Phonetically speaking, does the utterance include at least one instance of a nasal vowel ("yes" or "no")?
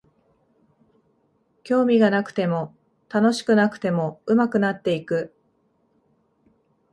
no